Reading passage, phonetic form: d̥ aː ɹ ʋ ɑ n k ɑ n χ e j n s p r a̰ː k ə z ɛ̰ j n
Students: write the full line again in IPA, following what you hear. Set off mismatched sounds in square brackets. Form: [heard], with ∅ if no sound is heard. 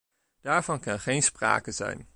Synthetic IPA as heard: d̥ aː ɹ [v] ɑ n k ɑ n χ e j n s p r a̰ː k ə z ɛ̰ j n

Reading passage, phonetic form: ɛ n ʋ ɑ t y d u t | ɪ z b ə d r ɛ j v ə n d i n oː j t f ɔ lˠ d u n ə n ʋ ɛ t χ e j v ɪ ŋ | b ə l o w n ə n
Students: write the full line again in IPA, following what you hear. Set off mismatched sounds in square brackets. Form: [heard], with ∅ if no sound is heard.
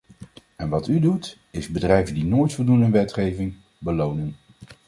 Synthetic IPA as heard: ɛ n ʋ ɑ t y d u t | ɪ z b ə d r ɛ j v ə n d i n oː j t f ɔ lˠ d u n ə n ʋ ɛ t χ e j v ɪ ŋ | b ə l o w n ə n

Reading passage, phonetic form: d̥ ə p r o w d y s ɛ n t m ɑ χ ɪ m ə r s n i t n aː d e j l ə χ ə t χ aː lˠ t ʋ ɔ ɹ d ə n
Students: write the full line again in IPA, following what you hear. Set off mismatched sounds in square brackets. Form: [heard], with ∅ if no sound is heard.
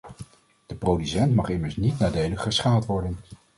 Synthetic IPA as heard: d̥ ə p r o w d y s ɛ n t m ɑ χ ɪ m ə [ɹ] s n i t n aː d e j l ə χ ə [s] χ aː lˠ t ʋ ɔ ɹ d ə n

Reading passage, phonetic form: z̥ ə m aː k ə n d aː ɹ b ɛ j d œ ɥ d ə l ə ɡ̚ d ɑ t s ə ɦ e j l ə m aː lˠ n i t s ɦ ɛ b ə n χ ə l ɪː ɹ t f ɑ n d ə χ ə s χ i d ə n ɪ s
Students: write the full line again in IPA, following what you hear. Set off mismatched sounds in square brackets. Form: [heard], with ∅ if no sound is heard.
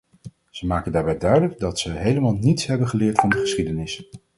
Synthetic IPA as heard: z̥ ə m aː k ə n d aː ɹ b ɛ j d œ ɥ d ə l ə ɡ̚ d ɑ t s ə ɦ e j l ə m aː lˠ n i t s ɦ ɛ b ə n χ ə l ɪː ɹ t f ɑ n d ə χ ə s χ i d ə n ɪ s

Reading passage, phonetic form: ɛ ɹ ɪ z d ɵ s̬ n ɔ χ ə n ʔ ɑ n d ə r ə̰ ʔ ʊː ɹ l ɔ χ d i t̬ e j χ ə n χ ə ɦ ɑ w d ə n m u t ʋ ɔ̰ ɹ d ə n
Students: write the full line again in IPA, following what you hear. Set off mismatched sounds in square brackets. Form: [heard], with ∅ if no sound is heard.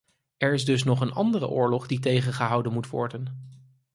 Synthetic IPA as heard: ɛ ɹ ɪ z d ɵ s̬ n ɔ χ ə n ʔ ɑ n d ə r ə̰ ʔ ʊː ɹ l ɔ χ d i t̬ e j χ ə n χ ə ɦ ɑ w d ə n m u t ʋ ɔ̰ ɹ d ə n

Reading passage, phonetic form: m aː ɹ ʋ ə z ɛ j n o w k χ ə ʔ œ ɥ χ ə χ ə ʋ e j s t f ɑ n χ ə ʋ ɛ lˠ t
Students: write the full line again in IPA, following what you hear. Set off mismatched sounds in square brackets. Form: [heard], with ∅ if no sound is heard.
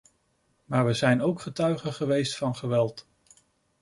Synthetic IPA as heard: m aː ɹ ʋ ə z ɛ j n o w k χ ə [t] œ ɥ χ ə χ ə ʋ e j s t f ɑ n χ ə ʋ ɛ lˠ t

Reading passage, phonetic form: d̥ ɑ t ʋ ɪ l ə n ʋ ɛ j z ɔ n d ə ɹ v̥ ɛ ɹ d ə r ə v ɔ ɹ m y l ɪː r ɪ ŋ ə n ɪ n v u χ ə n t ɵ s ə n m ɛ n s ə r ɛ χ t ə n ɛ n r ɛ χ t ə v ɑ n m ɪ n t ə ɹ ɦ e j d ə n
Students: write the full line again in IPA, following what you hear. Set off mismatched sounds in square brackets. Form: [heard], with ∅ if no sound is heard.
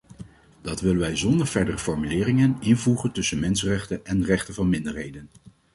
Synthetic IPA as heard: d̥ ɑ t ʋ ɪ l ə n ʋ ɛ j z ɔ n d ə ɹ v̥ ɛ ɹ d ə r ə [f] ɔ ɹ m y l ɪː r ɪ ŋ ə n ɪ n v u χ ə n t ɵ s ə n m ɛ n s ə r ɛ χ t ə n ɛ n r ɛ χ t ə v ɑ n m ɪ n [d] ə ɹ ɦ e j d ə n

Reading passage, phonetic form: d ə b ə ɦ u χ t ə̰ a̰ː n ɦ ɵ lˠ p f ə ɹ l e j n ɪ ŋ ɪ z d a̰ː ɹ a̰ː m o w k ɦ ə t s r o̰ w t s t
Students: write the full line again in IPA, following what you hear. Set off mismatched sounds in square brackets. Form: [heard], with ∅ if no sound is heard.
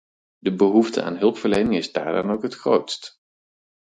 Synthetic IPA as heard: d ə b ə ɦ u [f] t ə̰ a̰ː n ɦ ɵ lˠ p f ə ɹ l e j n ɪ ŋ ɪ z d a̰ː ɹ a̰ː [n] o w k ɦ ə t [χ] r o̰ w t s t

